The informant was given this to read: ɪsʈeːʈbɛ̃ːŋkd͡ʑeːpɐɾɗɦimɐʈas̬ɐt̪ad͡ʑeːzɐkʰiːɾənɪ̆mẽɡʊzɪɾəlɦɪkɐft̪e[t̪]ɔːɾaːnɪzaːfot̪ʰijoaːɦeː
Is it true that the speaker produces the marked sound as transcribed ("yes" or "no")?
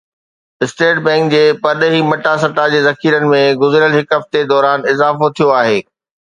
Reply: no